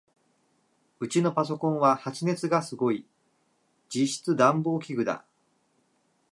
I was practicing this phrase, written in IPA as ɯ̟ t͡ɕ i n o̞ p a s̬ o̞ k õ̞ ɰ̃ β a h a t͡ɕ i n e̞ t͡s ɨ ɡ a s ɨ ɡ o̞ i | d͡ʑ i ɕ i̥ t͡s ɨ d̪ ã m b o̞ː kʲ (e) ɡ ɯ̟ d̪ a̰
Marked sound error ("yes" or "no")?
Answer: yes